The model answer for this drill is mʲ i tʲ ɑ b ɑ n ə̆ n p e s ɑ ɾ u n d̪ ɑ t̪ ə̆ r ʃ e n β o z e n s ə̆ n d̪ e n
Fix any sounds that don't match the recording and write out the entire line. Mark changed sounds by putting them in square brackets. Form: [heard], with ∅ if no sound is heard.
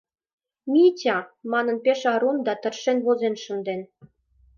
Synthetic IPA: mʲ i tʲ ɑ [m] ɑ n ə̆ n p e [ʃ] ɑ ɾ u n d̪ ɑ t̪ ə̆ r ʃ e n β o z e n [ʃ] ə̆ n d̪ e n